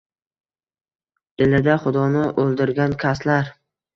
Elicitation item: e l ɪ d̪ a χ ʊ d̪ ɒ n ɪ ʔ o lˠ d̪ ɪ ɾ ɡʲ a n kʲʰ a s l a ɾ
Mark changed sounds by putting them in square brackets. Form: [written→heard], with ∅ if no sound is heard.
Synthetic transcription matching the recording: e l ɪ d̪ a χ ʊ d̪ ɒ n ɪ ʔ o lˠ d̪ ɪ ɾ ɡʲ a n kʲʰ a s l a ɾ